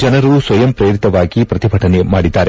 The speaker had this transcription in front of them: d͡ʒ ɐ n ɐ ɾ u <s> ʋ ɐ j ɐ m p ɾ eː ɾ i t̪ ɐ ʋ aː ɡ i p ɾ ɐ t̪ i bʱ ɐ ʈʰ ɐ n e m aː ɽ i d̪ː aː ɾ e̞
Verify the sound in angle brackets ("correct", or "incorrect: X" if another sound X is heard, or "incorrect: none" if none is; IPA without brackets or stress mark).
correct